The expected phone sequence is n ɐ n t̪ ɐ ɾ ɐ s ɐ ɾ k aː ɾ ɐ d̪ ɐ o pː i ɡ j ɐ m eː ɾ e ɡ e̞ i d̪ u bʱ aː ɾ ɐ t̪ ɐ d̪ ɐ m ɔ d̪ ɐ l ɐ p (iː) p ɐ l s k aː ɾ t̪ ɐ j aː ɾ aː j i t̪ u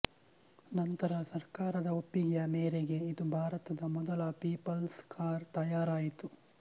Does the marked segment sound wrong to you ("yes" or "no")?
no